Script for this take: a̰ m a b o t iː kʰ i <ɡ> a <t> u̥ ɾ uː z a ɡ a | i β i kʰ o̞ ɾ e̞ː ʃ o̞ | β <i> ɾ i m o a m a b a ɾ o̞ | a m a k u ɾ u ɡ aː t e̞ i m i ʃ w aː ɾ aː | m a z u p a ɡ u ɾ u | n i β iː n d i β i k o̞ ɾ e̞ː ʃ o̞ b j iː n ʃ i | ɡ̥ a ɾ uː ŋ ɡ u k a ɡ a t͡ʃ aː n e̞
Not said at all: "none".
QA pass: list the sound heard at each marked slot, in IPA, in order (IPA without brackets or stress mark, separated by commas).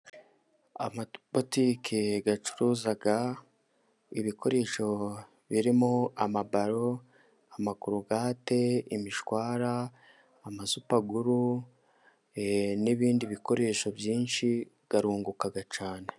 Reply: ɡ, t͡ʃ, i